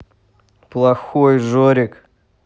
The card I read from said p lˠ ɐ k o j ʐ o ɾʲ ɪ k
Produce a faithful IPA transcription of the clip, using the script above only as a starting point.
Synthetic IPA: p lˠ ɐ x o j ʐ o ɾʲ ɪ k